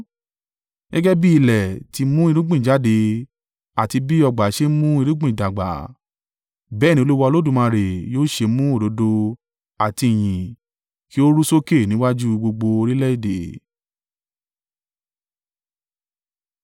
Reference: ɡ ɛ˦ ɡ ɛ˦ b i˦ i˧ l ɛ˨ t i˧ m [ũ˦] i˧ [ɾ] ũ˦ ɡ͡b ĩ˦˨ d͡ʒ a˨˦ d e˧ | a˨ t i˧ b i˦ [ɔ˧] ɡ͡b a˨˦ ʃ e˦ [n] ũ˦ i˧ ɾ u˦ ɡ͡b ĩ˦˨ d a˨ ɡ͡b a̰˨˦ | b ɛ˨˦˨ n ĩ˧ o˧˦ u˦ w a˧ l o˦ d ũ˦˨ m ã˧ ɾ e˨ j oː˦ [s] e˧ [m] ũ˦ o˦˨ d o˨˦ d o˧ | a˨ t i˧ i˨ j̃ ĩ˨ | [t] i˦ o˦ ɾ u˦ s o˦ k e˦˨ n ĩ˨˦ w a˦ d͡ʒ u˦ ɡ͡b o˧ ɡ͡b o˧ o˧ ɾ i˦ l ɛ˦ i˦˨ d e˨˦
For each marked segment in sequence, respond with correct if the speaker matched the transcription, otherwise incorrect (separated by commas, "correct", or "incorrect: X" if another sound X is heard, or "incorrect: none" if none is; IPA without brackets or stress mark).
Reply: correct, correct, correct, incorrect: m, incorrect: ʃ, correct, incorrect: k